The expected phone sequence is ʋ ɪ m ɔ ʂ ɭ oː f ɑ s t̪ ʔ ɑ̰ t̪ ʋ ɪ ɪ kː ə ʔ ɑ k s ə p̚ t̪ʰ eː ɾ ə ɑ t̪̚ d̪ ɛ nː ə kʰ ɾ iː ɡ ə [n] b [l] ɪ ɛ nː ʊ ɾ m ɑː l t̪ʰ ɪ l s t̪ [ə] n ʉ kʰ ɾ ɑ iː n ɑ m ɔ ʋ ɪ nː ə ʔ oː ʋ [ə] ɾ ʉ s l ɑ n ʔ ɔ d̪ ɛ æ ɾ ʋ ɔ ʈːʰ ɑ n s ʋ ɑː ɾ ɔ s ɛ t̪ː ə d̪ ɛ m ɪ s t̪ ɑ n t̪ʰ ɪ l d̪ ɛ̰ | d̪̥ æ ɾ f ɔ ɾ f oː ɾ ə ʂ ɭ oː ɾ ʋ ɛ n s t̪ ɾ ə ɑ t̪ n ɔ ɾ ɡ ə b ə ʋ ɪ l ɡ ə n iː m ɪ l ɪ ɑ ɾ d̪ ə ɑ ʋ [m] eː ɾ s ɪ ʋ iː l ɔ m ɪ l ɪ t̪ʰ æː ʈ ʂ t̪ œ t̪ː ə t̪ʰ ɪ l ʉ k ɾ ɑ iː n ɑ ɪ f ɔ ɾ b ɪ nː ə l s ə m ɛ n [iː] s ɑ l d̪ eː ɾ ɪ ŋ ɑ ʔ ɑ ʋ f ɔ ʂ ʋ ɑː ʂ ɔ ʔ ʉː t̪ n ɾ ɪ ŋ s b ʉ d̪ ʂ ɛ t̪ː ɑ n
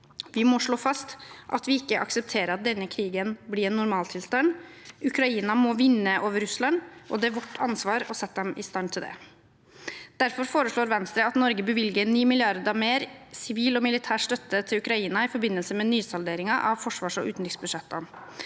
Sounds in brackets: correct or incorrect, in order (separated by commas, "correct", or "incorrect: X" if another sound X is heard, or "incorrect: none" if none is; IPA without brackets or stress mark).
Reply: correct, correct, incorrect: ɑ, correct, correct, incorrect: yː